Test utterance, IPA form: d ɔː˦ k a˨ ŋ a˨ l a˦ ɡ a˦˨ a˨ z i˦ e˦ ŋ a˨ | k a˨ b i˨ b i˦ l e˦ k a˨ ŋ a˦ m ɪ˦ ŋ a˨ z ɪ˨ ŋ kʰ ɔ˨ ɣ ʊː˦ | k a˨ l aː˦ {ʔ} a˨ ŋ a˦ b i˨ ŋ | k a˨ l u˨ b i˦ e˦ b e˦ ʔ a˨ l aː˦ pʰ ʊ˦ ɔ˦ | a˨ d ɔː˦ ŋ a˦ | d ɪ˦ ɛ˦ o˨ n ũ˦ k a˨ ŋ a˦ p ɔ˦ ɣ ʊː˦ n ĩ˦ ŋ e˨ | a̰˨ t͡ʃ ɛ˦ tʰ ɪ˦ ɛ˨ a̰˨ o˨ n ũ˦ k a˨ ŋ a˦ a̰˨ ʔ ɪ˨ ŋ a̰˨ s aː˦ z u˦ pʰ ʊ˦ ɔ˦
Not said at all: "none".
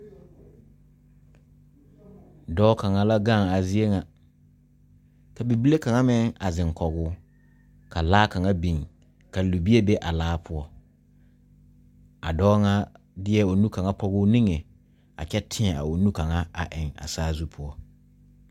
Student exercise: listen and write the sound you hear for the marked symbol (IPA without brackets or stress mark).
k